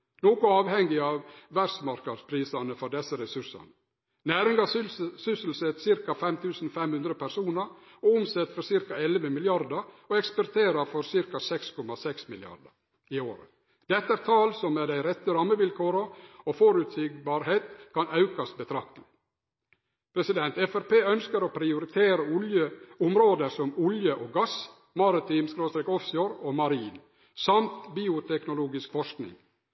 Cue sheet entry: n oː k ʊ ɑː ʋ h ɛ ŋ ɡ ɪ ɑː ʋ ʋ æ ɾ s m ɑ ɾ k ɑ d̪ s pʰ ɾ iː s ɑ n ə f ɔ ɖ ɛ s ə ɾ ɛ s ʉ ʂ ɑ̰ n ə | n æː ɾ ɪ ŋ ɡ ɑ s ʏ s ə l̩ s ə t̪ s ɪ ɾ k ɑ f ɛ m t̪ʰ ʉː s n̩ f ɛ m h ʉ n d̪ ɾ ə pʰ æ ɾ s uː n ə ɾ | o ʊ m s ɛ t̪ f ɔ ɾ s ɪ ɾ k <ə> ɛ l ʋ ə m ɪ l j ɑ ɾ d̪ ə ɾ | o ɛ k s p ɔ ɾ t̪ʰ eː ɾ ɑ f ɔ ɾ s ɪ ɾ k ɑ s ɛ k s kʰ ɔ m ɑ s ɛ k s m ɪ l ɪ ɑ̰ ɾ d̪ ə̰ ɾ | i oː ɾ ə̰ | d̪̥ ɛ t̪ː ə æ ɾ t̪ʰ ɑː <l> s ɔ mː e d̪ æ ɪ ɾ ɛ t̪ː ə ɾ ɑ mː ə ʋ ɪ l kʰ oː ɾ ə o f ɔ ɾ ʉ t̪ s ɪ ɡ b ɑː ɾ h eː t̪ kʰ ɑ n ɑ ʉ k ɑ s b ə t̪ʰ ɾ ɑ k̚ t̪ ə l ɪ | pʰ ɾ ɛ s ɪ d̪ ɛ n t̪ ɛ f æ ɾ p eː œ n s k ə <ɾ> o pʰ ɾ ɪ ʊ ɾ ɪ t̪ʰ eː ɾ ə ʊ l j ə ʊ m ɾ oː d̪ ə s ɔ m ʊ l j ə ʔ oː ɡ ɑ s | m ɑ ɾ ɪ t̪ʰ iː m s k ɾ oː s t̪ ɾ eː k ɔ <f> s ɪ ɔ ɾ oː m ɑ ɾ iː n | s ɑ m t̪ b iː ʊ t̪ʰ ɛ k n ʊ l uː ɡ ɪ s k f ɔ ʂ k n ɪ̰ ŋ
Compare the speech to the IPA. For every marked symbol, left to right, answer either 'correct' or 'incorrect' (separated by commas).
incorrect, correct, correct, correct